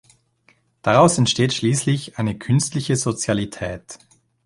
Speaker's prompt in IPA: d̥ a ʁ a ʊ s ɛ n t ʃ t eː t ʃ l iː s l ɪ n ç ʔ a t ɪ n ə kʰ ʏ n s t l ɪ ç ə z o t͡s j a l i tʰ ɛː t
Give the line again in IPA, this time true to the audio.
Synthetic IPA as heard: d̥ a ʁ a ʊ s ɛ n t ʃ t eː t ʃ l iː s l ɪ ç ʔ a ɪ n ə kʰ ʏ n s t l ɪ ç ə z o t͡s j a l i tʰ ɛː t